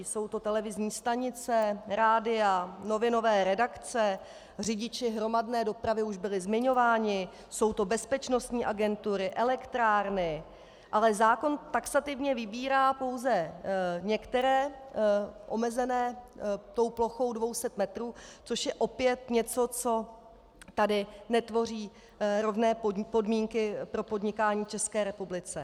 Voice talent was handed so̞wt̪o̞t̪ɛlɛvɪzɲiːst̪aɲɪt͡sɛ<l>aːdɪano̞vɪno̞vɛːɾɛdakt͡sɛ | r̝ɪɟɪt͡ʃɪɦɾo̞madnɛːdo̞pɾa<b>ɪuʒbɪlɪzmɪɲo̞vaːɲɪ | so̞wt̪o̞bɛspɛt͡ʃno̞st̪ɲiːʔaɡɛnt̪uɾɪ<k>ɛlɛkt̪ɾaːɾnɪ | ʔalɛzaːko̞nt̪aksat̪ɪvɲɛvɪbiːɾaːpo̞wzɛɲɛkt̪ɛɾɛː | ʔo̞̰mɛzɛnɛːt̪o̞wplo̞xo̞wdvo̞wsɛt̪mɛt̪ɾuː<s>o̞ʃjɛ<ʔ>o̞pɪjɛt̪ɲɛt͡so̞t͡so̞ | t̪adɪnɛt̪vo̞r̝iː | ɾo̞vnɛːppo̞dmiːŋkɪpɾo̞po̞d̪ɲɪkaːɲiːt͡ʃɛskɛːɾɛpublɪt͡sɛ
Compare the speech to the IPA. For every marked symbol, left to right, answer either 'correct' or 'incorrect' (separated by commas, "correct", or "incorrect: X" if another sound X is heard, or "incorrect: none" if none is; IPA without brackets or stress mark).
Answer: incorrect: ɾ, incorrect: v, incorrect: ʔ, incorrect: t͡s, correct